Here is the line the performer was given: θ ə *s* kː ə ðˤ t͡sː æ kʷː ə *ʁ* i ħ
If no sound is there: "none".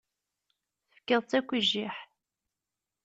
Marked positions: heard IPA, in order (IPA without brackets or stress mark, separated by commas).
f, ʒ